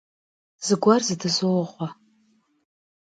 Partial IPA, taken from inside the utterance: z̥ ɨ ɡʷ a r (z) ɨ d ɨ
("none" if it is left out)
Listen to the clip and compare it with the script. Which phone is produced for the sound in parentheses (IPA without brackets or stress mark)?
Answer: z